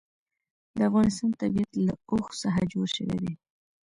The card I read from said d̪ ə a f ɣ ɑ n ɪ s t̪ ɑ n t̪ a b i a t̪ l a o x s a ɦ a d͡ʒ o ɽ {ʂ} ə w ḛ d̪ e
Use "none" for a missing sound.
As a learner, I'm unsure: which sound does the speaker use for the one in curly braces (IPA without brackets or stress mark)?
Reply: ʃ